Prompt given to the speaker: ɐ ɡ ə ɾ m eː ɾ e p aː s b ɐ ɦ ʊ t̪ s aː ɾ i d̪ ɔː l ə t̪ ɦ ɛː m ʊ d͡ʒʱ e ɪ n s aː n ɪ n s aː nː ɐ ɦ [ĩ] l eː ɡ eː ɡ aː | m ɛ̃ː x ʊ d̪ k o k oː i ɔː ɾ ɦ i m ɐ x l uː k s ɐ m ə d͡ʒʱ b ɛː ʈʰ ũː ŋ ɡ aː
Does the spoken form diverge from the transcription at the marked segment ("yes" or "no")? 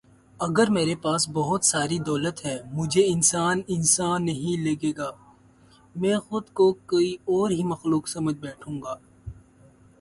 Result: no